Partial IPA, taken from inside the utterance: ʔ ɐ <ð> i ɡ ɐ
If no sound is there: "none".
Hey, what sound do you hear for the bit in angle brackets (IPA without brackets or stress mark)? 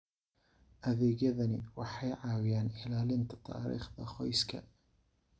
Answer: ð